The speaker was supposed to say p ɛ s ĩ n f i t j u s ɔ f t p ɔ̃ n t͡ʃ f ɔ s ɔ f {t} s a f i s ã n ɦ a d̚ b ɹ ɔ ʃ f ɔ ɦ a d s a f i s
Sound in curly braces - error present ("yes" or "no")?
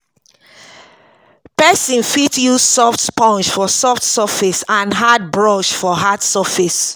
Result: no